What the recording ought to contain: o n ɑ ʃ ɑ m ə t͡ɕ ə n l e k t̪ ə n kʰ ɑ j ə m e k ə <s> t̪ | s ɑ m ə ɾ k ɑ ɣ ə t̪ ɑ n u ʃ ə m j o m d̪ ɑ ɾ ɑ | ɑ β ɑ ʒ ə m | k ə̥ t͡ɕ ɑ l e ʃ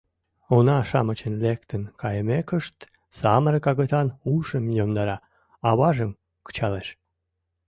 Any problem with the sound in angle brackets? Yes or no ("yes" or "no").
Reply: yes